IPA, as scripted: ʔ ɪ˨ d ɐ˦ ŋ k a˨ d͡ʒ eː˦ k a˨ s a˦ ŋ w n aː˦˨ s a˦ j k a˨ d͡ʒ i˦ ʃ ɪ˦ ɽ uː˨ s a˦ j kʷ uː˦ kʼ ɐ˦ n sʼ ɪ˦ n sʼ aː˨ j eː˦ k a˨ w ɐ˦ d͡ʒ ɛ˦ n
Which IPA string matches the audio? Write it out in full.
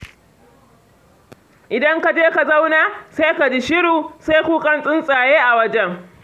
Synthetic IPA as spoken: ʔ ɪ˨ d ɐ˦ ŋ k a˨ d͡ʒ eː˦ k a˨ z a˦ w n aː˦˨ s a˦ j k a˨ d͡ʒ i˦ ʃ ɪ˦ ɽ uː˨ s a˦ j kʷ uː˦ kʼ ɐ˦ n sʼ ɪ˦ n sʼ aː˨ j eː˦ ʔ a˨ w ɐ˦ d͡ʒ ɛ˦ ŋ